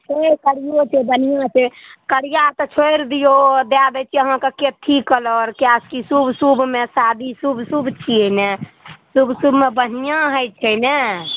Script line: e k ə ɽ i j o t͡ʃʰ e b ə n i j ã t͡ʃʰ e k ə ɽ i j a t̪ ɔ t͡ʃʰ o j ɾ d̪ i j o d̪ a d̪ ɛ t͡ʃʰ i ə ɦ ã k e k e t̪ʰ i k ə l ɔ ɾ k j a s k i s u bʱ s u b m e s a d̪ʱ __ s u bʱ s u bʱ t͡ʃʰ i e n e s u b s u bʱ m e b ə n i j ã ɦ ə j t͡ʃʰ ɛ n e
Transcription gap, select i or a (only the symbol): i